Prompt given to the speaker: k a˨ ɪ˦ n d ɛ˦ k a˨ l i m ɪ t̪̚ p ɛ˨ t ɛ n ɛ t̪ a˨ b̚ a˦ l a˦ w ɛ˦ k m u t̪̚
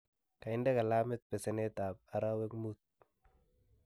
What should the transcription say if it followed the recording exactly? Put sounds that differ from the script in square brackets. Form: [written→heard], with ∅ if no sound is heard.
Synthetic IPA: k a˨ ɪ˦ n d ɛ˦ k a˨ l [i→a] m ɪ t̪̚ p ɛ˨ [t→s] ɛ n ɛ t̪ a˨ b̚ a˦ [l→ɾ] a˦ w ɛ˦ k m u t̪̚